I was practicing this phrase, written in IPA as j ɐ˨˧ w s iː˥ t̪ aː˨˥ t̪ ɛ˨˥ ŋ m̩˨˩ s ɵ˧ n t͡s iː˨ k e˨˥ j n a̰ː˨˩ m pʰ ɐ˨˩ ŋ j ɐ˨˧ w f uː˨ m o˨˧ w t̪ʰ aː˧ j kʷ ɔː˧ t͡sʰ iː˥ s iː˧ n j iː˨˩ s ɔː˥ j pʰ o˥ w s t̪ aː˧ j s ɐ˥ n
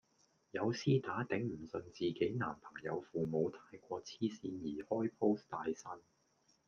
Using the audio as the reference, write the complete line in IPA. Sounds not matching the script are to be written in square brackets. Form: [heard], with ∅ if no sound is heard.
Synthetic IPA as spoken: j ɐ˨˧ w s iː˥ t̪ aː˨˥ t̪ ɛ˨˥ ŋ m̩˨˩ s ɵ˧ n t͡s iː˨ k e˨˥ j n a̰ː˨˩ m pʰ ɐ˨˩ ŋ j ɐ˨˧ w f uː˨ m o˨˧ w t̪ʰ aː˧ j kʷ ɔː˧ t͡sʰ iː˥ s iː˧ n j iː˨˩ [h] ɔː˥ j pʰ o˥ w s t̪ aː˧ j s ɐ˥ n